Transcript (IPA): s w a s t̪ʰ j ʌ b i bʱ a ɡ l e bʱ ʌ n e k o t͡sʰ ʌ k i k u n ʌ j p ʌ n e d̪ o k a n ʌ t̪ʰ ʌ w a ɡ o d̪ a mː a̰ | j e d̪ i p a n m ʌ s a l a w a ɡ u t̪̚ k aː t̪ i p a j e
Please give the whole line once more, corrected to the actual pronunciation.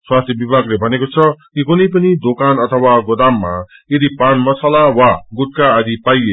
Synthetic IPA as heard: s w a s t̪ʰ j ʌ b i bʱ a ɡ l e bʱ ʌ n e k o t͡sʰ ʌ k i k u n ʌ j p ʌ n i d̪ o k a n ʌ t̪ʰ ʌ w a ɡ o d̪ a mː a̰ | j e d̪ i p a n m ʌ s a l a w a ɡ u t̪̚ k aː d̪ i p a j e